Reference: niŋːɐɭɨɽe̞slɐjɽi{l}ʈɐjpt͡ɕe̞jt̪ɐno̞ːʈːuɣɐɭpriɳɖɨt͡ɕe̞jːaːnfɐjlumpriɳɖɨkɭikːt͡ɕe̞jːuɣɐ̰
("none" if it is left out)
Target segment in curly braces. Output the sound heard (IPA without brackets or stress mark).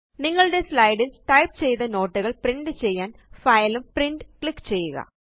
l